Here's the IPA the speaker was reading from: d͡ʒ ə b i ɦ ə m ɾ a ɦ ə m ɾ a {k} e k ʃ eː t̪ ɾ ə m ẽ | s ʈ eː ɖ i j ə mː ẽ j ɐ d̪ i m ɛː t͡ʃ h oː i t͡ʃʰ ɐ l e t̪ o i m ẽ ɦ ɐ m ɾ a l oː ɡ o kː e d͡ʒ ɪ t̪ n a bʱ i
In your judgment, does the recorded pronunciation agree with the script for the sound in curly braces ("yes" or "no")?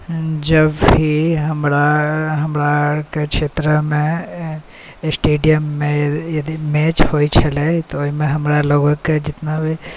yes